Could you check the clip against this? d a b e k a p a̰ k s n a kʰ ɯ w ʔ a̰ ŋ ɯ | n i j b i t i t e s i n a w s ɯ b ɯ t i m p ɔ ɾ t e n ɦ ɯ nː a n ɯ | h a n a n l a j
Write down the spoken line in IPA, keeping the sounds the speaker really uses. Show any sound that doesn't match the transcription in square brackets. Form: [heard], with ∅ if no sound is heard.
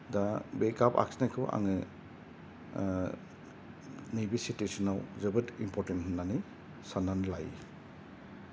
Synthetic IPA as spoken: d a b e k a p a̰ k s n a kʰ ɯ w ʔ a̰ ŋ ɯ | n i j b i [s] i t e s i n a w [z] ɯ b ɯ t i m p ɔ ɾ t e n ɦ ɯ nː a n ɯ | [s] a n a n l a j